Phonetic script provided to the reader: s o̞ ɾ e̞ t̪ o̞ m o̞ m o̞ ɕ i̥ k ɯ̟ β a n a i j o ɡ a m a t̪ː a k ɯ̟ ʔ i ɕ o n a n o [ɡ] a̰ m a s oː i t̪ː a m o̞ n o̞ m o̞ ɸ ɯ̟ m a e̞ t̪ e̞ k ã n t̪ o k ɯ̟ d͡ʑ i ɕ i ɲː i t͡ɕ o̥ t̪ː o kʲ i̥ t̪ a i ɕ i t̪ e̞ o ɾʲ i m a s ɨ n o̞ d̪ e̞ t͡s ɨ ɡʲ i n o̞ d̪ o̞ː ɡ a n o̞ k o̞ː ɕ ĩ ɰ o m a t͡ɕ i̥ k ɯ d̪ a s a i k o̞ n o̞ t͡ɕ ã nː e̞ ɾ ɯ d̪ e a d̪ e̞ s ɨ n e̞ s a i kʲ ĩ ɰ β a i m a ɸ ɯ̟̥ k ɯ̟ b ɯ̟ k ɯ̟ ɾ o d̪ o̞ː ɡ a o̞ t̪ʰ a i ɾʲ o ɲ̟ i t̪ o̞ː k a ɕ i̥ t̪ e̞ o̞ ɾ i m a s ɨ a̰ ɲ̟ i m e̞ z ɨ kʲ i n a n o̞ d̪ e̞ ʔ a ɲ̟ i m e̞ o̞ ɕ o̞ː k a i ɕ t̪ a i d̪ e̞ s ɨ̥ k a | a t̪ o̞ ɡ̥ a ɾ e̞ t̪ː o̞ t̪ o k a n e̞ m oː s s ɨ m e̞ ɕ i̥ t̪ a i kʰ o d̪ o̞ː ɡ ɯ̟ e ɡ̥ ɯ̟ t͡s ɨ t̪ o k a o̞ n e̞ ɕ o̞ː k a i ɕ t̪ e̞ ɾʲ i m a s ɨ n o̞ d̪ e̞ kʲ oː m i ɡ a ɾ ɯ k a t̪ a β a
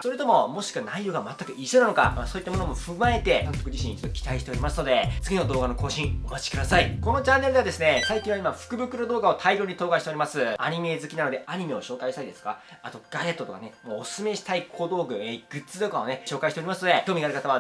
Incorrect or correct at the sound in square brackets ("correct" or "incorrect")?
incorrect